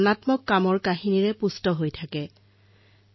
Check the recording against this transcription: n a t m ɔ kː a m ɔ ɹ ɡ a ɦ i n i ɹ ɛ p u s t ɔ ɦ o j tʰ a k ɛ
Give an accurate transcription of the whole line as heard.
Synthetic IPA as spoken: n a t m ɔ kː a m ɔ ɹ k a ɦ i n i ɹ ɛ p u s t ɔ ɦ o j tʰ a k ɛ